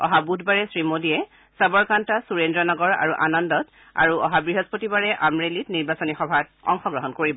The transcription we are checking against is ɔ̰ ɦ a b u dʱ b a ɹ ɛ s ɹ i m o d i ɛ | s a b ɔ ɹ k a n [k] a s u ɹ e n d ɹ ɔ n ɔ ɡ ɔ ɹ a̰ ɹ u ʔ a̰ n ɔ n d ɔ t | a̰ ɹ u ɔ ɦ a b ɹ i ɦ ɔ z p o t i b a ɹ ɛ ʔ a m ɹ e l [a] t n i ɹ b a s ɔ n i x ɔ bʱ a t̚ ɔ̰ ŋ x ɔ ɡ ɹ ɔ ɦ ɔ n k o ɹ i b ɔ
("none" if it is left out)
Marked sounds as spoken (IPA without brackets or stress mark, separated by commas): t, i